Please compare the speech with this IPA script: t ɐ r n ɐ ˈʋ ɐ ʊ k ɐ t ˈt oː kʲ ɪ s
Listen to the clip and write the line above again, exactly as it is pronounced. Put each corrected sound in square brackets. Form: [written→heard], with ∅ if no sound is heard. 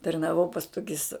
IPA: t ɐ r n ɐ ˈʋ ɐ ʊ [k→p] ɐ [t→s] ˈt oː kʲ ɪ s